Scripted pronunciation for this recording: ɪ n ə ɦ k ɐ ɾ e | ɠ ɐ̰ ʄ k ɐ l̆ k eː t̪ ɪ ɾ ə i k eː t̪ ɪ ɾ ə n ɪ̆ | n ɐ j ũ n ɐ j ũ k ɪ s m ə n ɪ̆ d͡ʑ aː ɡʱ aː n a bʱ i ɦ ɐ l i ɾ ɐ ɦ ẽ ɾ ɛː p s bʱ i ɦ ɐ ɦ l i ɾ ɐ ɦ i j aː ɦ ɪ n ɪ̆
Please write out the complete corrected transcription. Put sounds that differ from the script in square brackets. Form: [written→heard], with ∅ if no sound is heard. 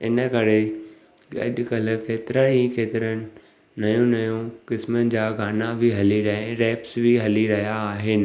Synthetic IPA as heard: ɪ n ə [ɦ→∅] k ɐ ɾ e | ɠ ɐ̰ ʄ k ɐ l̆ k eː t̪ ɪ ɾ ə i k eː t̪ ɪ ɾ ə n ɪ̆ | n ɐ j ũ n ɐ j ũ k ɪ s m ə n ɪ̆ d͡ʑ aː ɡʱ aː n a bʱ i ɦ ɐ l i ɾ ɐ ɦ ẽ ɾ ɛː p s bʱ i ɦ ɐ [ɦ→∅] l i ɾ ɐ ɦ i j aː ɦ ɪ n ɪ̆